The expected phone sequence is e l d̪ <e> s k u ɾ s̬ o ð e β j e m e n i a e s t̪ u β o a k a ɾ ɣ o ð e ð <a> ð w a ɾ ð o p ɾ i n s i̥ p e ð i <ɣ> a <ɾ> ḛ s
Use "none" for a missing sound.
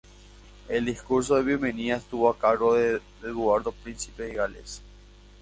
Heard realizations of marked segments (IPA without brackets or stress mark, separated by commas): i, e, ɣ, l